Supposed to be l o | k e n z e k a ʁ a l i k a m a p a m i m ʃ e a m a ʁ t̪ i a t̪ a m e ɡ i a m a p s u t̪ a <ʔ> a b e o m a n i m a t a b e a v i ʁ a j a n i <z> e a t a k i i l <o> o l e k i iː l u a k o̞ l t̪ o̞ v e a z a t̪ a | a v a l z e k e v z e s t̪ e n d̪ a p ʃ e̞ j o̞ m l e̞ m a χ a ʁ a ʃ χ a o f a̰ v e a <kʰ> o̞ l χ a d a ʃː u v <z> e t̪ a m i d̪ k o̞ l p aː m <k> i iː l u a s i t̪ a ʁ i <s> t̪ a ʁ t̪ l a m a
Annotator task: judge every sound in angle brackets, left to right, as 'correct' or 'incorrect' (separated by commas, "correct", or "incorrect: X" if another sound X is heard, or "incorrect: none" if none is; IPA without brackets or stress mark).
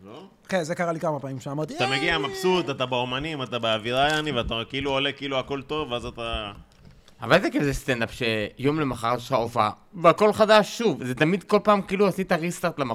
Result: incorrect: t, incorrect: v, incorrect: u, incorrect: k, correct, correct, correct